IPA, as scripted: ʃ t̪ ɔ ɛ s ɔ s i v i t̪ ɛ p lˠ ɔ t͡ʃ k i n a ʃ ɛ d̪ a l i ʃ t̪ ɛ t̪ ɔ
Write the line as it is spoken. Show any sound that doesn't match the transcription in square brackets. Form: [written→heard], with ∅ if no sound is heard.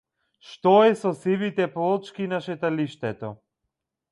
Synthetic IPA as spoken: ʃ t̪ ɔ ɛ s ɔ s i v i t̪ ɛ p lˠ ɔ t͡ʃ k i n a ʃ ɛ [d̪→t̪] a l i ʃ t̪ ɛ t̪ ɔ

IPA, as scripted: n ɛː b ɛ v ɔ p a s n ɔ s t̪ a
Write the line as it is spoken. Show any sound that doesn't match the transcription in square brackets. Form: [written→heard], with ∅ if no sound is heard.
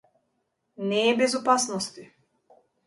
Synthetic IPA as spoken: n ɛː b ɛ [v→z] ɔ p a s n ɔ s t̪ [a→i]

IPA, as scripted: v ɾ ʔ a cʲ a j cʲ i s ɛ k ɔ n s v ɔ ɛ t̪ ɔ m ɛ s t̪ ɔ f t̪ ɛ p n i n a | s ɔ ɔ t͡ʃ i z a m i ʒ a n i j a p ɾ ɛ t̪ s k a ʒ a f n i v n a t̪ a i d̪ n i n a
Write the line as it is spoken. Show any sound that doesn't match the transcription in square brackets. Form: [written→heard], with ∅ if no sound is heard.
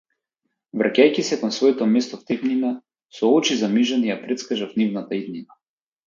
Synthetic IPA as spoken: v ɾ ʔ a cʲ a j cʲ i s ɛ k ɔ n s v ɔ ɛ t̪ ɔ m ɛ s t̪ ɔ f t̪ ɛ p n i n a | s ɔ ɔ t͡ʃ i z a m i ʒ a n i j a p ɾ ɛ t̪ s k a ʒ a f n i v n a t̪ a i d̪ n i n a

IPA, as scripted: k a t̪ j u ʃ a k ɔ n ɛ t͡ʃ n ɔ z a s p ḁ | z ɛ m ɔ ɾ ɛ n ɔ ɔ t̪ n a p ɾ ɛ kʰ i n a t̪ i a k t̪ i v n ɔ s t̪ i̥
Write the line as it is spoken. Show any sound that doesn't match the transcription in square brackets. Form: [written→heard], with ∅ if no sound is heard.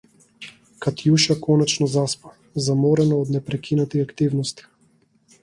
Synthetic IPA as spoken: k a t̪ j u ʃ a k ɔ n ɛ t͡ʃ n ɔ z a s p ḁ | z [ɛ→a] m ɔ ɾ ɛ n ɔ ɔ [t̪→d̪] n [a→ɛ] p ɾ ɛ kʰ i n a t̪ i a k t̪ i v n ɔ s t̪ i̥

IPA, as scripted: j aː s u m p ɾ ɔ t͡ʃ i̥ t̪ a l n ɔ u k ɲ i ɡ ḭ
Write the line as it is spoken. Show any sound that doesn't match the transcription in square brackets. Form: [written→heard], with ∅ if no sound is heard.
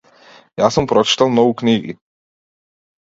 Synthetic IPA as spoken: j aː s [u→ɔ] m p ɾ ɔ t͡ʃ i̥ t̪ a l n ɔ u k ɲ i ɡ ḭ

